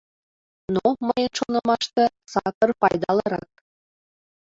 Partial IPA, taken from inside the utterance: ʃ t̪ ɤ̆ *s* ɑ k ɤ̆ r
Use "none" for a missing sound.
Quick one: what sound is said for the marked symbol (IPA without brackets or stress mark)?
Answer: s